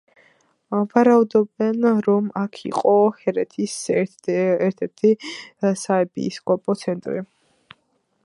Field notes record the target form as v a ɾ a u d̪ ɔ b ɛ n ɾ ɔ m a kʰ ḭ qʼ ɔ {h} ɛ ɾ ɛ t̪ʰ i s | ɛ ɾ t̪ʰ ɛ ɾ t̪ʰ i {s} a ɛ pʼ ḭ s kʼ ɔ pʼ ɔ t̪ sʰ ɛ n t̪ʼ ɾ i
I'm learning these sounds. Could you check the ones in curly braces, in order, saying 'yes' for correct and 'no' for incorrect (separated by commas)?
yes, yes